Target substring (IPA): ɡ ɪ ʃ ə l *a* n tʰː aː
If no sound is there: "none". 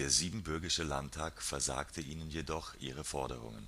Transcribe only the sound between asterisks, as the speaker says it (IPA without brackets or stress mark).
a